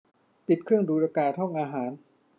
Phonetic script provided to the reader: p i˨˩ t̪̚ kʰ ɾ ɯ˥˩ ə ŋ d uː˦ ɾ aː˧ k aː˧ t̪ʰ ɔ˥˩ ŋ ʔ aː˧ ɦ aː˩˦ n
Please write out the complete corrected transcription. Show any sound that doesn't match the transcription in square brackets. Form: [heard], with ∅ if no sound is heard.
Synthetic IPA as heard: p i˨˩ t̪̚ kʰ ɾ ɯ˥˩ ə ŋ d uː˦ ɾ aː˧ k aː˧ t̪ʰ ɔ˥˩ ŋ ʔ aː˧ ɦ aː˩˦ n